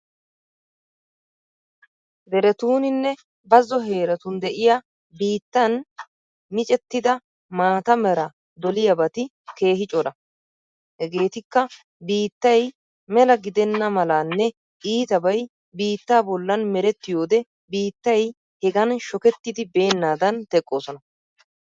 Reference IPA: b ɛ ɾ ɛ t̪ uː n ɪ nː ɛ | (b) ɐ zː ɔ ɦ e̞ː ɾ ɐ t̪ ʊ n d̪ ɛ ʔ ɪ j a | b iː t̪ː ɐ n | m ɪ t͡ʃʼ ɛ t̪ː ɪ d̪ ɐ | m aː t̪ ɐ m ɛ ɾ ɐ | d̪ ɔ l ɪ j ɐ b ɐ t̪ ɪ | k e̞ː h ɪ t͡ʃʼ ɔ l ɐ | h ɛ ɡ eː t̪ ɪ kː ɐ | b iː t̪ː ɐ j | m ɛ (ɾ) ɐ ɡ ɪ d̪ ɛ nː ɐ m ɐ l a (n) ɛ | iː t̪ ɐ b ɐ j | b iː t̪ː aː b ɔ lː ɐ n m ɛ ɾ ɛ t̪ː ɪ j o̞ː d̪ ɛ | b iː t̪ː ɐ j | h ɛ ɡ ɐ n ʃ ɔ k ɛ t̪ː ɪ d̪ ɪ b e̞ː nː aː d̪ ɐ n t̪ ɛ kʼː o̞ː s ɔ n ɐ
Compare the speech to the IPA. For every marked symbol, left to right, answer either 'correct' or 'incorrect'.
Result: correct, incorrect, incorrect

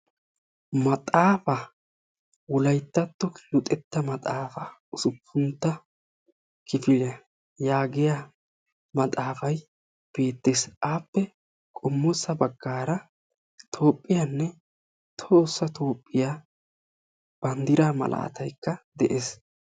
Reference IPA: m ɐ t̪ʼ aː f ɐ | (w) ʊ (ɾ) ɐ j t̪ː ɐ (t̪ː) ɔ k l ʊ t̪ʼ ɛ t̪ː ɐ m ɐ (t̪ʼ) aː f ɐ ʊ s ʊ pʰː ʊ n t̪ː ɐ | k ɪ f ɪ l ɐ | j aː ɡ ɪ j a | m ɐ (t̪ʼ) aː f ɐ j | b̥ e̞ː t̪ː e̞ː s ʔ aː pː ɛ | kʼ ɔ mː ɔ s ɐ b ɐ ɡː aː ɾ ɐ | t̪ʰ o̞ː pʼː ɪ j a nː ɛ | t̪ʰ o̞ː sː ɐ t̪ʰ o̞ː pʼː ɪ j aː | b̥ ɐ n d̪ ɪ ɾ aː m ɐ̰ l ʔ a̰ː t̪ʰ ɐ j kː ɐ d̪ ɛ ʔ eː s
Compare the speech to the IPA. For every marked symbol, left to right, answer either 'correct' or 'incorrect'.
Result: correct, incorrect, correct, correct, correct

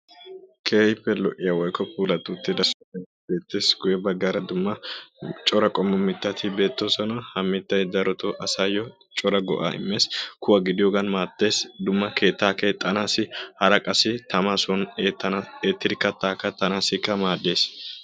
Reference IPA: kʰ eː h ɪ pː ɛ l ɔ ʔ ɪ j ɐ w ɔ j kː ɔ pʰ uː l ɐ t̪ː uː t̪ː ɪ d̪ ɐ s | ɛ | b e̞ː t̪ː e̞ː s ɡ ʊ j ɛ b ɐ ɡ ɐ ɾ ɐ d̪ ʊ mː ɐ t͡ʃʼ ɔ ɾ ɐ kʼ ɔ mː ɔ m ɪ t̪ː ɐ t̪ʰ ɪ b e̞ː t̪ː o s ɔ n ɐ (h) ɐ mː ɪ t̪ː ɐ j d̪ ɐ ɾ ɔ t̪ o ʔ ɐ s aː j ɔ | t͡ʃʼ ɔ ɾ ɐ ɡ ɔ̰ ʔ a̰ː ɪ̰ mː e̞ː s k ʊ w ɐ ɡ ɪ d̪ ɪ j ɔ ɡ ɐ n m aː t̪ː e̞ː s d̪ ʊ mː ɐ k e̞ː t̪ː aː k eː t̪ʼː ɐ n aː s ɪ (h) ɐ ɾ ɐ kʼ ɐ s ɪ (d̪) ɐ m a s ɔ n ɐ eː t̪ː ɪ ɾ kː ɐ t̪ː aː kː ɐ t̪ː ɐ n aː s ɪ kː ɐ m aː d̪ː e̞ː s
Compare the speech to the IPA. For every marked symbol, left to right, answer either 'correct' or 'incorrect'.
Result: correct, correct, incorrect

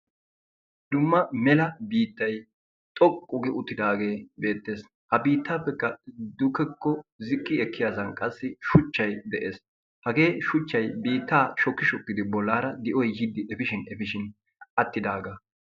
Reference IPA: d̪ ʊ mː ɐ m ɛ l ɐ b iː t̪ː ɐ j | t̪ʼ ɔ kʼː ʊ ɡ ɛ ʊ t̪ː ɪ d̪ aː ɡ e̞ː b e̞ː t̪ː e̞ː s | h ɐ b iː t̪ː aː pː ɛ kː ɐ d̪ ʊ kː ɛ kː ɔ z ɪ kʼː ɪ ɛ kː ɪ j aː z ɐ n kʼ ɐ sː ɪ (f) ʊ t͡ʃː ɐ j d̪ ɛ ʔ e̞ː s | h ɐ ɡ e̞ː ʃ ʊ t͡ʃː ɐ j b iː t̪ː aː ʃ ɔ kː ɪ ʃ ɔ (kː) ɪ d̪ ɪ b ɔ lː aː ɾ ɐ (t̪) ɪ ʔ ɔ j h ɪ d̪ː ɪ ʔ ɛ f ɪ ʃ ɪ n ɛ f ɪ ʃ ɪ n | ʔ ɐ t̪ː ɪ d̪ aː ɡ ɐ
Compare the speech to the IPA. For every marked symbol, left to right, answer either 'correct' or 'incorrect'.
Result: incorrect, correct, incorrect

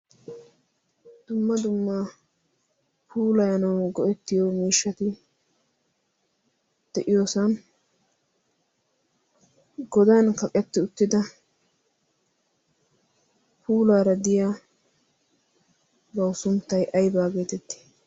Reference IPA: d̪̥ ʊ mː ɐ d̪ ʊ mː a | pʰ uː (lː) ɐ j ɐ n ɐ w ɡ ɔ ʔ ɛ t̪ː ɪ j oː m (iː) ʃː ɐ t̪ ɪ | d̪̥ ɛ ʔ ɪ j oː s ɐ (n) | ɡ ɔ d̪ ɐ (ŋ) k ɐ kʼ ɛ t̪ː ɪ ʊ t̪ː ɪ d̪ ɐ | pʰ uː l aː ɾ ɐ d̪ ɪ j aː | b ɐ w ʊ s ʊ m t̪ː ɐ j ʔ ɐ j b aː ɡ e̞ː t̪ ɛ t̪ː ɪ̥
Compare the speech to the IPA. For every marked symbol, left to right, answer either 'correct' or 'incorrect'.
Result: incorrect, correct, correct, incorrect

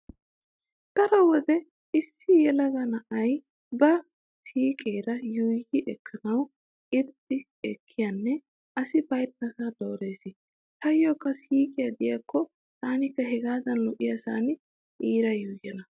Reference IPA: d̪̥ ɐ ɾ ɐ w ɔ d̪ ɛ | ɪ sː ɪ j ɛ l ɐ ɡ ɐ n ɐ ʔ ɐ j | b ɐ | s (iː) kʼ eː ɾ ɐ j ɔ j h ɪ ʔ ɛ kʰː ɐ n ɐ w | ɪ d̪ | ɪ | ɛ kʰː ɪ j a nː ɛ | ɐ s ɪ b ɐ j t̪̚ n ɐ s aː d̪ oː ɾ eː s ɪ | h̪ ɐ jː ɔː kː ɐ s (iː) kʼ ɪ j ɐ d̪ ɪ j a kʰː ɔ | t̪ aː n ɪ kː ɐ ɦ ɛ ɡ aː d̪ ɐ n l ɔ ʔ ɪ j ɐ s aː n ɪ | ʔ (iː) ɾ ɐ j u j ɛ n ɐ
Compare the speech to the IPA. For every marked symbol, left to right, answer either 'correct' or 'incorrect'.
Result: correct, correct, correct

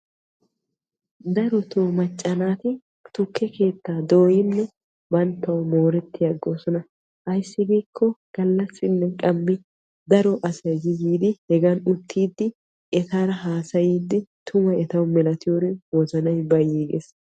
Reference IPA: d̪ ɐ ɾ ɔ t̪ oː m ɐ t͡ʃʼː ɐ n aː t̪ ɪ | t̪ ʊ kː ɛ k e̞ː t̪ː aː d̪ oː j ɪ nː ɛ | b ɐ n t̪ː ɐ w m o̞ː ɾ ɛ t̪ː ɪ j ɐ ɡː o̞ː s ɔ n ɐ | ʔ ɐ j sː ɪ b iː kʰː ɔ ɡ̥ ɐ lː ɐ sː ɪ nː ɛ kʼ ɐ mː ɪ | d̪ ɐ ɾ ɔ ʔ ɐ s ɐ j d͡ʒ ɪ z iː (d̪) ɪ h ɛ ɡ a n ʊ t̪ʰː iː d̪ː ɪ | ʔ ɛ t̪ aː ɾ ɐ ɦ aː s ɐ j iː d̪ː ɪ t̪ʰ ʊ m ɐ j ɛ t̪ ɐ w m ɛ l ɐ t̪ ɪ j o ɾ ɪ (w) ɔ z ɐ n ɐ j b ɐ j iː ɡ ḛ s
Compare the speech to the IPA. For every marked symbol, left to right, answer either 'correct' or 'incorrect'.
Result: correct, correct

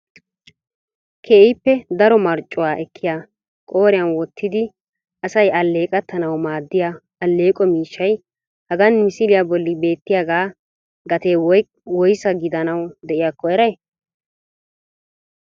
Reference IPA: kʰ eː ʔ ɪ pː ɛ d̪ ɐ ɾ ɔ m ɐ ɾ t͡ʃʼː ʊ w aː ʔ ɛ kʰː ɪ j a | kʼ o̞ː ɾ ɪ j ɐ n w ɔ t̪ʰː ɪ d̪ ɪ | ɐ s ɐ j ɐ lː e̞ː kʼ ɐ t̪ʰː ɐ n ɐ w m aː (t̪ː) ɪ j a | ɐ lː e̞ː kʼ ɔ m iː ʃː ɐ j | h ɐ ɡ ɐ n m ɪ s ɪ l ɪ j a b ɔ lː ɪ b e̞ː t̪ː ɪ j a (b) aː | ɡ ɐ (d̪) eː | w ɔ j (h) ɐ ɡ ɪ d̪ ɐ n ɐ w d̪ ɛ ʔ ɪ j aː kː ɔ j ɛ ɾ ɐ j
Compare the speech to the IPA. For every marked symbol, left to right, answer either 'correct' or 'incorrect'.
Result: incorrect, incorrect, incorrect, incorrect

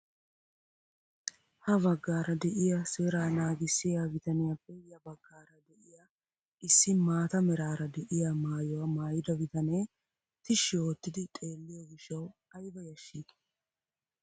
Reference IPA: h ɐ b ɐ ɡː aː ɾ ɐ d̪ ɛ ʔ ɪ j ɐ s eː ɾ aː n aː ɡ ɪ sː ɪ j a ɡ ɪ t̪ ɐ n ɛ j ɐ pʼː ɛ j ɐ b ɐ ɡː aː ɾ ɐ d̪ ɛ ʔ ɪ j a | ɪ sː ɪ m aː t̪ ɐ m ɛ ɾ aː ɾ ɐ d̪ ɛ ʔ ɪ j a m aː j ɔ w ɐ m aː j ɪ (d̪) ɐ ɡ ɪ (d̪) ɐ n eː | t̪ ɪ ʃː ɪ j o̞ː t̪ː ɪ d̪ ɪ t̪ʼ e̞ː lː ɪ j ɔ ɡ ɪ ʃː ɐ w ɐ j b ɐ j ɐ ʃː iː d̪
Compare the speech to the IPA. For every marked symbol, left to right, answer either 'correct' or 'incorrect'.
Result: correct, incorrect

